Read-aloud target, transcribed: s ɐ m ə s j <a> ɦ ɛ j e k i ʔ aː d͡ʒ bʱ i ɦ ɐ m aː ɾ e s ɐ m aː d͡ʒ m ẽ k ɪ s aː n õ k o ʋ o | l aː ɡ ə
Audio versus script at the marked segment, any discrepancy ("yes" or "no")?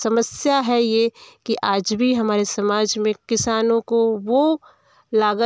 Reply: no